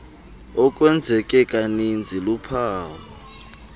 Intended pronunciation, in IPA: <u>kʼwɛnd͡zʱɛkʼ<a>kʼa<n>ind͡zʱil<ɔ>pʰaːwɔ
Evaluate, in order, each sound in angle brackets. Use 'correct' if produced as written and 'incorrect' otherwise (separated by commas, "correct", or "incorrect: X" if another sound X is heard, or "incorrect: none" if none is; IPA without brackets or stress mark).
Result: incorrect: ɔ, incorrect: ɛ, correct, incorrect: u